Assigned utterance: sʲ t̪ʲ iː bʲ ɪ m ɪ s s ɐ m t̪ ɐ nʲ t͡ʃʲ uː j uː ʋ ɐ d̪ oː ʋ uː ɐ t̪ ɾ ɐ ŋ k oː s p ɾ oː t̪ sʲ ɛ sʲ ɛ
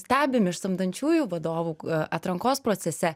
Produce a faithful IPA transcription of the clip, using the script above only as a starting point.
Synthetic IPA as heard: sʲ t̪ʲ æː bʲ ɪ m ɪ ʃ s ɐ m d̪ ɐ nʲ t͡ʃʲ uː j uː ʋ ɐ d̪ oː ʋ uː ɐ t̪ ɾ ɐ ŋ k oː s p ɾ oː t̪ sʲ ɛ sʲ ɛ